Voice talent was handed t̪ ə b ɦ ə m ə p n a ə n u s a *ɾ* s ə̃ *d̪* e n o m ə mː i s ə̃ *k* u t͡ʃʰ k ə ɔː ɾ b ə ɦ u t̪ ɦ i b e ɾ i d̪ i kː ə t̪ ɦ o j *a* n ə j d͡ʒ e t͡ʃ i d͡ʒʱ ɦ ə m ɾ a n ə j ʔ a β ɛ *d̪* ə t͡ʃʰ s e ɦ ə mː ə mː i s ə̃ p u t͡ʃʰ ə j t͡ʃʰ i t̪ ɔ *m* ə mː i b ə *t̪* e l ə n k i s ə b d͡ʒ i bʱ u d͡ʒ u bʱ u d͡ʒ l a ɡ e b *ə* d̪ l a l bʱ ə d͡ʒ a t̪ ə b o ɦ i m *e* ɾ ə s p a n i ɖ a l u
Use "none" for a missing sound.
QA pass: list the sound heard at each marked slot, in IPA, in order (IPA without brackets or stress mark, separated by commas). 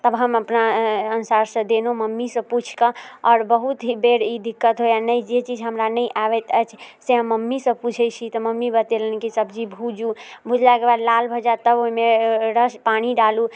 ɾ, d̪, p, a, t̪, m, t̪, a, e